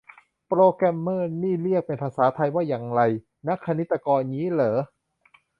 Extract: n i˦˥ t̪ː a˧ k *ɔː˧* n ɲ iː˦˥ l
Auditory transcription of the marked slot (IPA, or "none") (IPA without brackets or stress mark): ɔː˧